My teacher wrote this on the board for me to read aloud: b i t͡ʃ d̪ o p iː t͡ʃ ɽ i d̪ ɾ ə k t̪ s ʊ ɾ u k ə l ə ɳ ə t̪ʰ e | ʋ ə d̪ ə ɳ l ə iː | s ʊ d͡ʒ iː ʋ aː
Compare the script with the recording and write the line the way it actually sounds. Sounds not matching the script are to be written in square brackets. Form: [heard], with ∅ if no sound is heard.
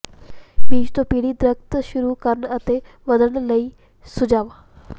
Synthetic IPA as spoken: b [iː] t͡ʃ [t̪] o p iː [∅] ɽ i d̪ ɾ ə k t̪ [ʃ] ʊ ɾ u k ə [ɾ] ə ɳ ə [t̪] e | ʋ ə d̪ ə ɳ l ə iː | s ʊ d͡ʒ [aː] ʋ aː